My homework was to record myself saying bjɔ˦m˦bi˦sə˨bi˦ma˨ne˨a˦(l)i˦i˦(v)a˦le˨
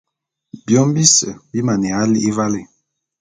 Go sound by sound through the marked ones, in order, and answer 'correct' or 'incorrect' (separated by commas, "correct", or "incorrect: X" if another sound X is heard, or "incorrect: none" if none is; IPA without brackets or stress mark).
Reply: correct, correct